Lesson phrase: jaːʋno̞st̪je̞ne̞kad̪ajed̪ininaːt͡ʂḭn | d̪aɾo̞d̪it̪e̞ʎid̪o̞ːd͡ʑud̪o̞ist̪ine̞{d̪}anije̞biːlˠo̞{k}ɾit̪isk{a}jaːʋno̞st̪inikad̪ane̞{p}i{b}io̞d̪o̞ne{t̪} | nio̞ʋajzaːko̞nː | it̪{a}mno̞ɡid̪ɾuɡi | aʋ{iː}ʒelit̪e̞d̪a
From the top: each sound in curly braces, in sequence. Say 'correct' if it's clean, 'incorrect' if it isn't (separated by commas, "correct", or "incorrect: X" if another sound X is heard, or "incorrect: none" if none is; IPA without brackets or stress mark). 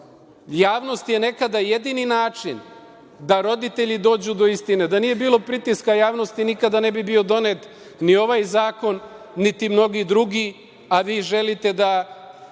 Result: correct, incorrect: p, correct, incorrect: b, correct, correct, incorrect: i, correct